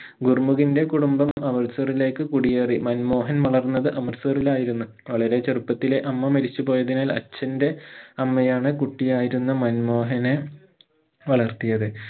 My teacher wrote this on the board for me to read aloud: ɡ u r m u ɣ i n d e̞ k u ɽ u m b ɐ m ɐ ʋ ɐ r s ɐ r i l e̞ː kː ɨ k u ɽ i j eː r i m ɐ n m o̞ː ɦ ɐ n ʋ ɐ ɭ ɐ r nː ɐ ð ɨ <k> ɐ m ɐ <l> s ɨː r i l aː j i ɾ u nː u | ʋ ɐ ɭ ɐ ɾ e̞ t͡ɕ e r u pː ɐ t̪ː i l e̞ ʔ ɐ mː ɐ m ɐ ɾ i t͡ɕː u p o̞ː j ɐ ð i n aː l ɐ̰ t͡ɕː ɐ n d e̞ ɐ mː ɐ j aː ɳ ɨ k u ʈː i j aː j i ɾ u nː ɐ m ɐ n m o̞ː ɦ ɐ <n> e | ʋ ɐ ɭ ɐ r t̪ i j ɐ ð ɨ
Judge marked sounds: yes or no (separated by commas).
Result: no, no, yes